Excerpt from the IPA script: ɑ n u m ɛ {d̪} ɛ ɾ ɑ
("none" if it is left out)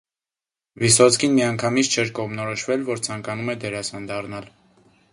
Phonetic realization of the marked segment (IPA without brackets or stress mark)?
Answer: d̪